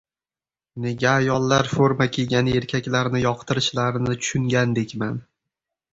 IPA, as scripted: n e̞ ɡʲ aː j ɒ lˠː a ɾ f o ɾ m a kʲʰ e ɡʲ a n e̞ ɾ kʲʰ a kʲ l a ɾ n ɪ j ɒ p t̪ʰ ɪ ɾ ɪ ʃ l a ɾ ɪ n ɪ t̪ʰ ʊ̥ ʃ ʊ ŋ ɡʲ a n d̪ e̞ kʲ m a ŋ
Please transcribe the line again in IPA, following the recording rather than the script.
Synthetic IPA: n e̞ ɡʲ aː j ɒ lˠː a ɾ f o ɾ m a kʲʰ e ɡʲ a n e̞ ɾ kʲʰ a kʲ l a ɾ n ɪ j ɒ q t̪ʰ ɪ ɾ ɪ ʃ l a ɾ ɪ n ɪ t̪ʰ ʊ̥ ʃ ʊ ŋ ɡʲ a n d̪ e̞ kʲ m a n

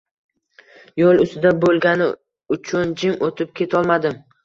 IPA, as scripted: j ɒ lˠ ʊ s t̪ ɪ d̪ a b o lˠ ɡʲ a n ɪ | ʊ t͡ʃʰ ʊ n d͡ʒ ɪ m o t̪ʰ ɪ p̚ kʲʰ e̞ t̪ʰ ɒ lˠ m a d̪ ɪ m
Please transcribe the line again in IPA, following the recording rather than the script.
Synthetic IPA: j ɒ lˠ ʊ s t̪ ɪ d̪ a b o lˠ ɡʲ a n ɪ | ʊ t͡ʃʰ ʊ n d͡ʒ ɪ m o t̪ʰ ɪ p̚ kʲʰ e̞ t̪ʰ ɒ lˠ m a d̪ ɪ m

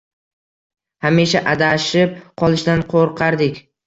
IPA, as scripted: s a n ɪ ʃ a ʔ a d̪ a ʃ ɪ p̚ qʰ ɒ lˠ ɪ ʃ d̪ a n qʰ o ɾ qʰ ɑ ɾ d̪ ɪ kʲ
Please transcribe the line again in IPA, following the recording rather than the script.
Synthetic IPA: h a m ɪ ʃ a ʔ a d̪ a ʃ ɪ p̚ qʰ ɒ lˠ ɪ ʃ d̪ a n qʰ o ɾ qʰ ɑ ɾ d̪ ɪ kʲ

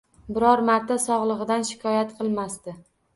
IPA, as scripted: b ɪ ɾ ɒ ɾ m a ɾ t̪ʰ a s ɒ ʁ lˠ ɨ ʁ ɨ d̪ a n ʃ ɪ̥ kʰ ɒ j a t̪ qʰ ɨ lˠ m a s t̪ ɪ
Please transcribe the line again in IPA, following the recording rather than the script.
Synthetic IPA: b ɪ ɾ ɒ ɾ m a ɾ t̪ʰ a s ɒ ʁ lˠ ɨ ʁ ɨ d̪ a n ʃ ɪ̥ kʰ ɒ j a t̪ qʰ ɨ lˠ m a s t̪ ɪ

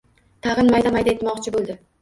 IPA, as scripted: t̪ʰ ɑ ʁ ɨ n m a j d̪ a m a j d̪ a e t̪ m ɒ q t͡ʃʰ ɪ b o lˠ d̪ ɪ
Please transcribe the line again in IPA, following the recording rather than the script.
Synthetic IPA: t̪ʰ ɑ ʁ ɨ n m a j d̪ a m a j d̪ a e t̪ m ɒ q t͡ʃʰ ɪ b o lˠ d̪ ɪ

